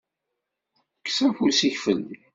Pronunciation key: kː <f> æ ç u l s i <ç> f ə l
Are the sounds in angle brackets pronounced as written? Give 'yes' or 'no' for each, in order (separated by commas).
no, yes